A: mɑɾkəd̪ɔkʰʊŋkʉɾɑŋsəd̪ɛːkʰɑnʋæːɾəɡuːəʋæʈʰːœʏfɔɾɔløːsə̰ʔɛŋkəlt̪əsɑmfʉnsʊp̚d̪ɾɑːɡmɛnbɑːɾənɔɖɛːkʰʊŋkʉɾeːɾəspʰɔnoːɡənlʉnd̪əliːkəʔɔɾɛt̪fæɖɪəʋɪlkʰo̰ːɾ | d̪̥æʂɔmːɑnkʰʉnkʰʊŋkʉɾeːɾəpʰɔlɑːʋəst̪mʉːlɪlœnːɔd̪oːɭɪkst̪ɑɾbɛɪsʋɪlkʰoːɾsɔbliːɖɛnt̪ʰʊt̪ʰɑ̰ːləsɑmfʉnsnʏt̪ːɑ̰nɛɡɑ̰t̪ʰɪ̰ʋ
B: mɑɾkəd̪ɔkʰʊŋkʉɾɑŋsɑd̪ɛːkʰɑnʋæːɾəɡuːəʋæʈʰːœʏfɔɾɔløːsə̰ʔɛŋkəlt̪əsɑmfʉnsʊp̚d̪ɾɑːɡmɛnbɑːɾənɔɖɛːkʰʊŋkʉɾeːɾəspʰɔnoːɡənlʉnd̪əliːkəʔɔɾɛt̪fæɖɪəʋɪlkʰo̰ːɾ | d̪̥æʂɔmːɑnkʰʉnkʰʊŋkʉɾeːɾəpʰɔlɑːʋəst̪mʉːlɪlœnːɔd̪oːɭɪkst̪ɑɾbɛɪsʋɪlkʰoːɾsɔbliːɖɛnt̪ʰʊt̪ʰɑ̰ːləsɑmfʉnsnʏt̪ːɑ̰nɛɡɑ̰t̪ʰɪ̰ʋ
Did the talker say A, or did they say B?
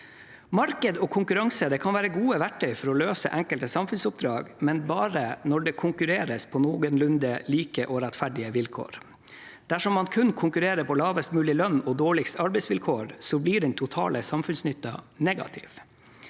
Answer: A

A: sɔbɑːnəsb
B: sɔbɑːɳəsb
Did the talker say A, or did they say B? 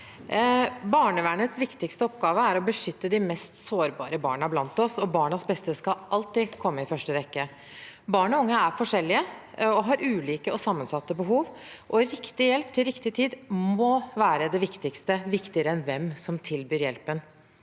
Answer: B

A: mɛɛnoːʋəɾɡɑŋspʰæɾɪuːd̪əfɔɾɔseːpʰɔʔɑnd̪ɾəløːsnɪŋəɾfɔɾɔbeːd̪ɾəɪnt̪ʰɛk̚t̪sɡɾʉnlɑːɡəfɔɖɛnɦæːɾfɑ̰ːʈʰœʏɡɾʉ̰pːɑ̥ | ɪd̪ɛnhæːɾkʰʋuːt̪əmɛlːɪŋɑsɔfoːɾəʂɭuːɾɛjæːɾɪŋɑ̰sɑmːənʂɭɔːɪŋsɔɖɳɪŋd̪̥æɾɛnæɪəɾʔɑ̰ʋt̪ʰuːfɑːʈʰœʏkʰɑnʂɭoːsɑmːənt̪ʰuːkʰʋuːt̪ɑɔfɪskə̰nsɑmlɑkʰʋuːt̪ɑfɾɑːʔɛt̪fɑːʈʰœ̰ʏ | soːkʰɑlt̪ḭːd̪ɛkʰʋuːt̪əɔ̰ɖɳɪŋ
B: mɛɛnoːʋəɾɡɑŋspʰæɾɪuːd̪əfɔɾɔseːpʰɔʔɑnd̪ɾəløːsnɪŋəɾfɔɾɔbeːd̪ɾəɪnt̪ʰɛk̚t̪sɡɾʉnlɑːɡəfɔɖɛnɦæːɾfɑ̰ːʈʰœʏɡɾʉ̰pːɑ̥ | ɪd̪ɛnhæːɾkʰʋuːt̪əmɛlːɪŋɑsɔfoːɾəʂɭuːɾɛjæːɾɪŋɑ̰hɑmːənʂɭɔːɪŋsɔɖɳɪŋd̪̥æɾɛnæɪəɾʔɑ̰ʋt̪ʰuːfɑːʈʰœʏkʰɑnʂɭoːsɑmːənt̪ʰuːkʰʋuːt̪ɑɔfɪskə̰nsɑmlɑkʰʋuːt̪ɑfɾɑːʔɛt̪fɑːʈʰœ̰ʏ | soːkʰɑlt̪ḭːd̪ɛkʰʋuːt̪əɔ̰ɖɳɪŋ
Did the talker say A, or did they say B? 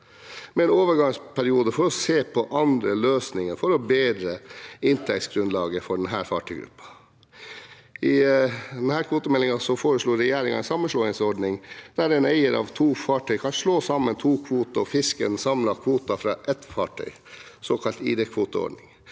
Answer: A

